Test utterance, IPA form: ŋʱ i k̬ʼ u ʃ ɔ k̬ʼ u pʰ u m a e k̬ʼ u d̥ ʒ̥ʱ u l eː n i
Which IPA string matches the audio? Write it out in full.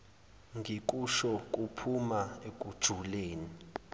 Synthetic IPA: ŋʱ i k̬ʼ u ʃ ɔ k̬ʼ u pʰ u m a e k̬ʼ u d̥ ʒ̥ʱ u l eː n i